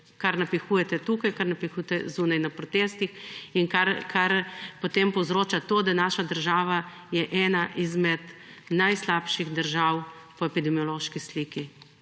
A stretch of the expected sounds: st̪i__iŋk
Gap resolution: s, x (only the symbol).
x